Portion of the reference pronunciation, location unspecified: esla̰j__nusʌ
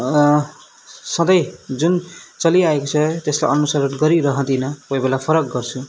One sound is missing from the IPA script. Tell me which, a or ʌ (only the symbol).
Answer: ʌ